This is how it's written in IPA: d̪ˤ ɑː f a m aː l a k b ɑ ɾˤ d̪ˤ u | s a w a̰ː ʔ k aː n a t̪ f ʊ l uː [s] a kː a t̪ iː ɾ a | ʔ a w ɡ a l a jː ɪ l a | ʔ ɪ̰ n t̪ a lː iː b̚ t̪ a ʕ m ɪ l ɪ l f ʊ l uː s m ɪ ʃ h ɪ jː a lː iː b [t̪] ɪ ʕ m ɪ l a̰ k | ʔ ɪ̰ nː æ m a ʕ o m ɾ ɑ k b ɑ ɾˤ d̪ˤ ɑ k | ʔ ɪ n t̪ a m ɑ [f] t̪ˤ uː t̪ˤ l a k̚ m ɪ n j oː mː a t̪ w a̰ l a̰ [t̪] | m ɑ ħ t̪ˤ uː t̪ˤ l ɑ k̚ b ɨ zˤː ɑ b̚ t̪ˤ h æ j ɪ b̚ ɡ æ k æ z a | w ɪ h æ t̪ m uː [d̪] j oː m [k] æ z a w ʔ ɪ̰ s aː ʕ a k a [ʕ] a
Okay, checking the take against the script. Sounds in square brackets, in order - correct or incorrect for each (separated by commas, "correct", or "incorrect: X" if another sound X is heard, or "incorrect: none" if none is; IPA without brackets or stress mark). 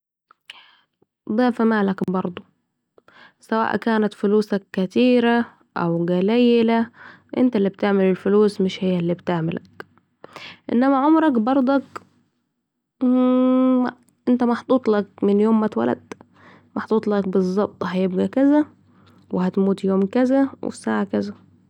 correct, correct, incorrect: ħ, incorrect: d̪, incorrect: t̪, correct, incorrect: z